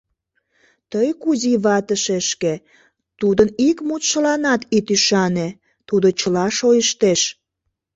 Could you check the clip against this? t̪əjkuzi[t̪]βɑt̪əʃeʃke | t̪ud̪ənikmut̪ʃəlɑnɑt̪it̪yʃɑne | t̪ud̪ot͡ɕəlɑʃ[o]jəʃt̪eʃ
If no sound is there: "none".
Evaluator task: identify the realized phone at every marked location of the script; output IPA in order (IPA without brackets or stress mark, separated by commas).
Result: none, o